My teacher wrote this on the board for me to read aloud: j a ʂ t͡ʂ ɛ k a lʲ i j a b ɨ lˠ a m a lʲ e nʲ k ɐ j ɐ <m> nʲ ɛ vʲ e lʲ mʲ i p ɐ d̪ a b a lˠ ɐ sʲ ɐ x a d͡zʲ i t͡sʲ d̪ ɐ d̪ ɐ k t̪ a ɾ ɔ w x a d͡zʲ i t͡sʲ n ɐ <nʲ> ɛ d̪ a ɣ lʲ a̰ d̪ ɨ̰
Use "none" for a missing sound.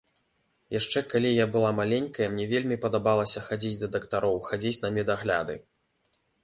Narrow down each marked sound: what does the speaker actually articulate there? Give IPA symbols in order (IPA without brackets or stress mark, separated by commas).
m, mʲ